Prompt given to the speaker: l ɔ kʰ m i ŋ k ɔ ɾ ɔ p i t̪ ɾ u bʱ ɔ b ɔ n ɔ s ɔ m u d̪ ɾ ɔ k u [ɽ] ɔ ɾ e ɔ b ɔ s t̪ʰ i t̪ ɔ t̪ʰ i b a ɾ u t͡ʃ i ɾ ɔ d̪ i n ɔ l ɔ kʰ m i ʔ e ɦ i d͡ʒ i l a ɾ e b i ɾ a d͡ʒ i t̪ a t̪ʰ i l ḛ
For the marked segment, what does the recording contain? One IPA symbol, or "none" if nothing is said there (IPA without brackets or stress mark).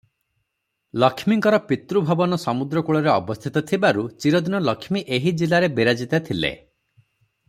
ɭ